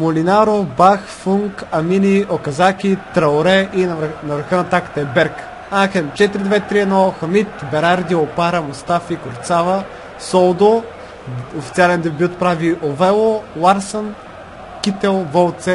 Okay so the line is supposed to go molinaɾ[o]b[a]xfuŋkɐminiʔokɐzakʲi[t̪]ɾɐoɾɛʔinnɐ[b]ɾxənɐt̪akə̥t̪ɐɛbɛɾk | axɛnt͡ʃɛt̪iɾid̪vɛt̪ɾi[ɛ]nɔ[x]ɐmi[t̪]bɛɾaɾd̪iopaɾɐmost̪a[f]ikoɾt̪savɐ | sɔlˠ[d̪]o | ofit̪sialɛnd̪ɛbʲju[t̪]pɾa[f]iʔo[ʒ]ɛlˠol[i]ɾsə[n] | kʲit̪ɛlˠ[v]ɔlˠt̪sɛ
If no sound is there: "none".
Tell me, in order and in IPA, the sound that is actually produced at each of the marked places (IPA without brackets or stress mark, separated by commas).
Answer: o, a, t̪, v, ɛ, x, t̪, f, d̪, t̪, v, v, a, n, v